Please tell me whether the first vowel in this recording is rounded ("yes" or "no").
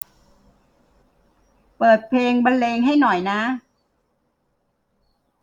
no